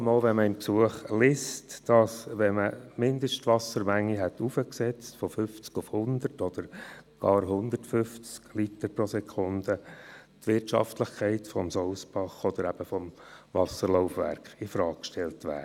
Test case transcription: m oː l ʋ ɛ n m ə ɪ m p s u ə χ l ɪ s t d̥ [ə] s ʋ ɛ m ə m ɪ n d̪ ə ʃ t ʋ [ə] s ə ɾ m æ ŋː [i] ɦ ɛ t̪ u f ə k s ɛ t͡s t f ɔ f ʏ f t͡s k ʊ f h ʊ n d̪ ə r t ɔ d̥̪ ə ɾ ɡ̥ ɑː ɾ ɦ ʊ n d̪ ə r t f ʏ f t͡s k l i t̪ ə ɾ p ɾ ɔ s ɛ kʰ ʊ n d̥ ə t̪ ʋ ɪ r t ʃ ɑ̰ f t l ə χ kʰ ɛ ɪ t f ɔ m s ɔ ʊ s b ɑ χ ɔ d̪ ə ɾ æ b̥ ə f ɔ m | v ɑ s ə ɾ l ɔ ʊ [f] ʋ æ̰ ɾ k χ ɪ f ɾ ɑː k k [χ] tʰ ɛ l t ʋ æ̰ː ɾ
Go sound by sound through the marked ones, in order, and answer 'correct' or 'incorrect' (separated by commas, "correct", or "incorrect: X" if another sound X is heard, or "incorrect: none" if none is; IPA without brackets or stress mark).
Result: incorrect: ɑ, incorrect: ɑ, correct, correct, incorrect: ʃ